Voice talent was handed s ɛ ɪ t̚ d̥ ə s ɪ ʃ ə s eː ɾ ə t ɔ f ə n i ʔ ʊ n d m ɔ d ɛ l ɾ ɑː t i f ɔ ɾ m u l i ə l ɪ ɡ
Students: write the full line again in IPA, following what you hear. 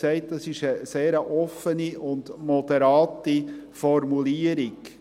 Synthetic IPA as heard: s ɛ ɪ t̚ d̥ ɑ s ɪ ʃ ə s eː ɾ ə ʔ ɔ f ə n i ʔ ʊ n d m ɔ d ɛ ɾ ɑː t i f ɔ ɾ m u l i ə ɾ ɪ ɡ